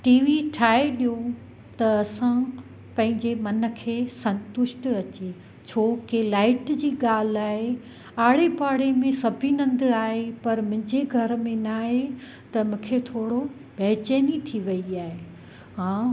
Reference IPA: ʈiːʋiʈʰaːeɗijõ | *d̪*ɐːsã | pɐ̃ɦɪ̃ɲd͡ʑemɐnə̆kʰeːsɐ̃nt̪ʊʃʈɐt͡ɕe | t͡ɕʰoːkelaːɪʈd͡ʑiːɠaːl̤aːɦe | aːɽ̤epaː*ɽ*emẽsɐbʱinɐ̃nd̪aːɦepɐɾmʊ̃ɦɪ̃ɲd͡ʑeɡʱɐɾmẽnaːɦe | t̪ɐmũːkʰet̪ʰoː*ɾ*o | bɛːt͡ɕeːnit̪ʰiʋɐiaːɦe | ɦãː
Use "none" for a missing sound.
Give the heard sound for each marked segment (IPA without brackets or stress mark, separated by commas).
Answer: t̪, ɽ, ɽ